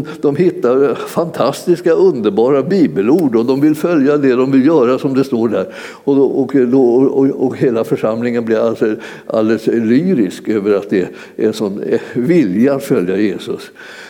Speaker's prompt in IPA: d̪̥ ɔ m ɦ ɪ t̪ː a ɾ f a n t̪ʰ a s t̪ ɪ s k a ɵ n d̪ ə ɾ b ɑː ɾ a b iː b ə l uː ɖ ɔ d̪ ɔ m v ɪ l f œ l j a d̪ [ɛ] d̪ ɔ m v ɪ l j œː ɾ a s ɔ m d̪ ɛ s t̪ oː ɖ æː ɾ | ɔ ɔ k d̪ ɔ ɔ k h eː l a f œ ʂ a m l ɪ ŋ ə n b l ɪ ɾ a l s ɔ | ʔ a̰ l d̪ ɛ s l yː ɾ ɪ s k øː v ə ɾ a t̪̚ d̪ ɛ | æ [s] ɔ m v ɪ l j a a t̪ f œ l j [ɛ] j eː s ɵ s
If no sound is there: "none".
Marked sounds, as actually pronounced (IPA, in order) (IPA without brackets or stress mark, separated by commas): ɛ, ʂ, a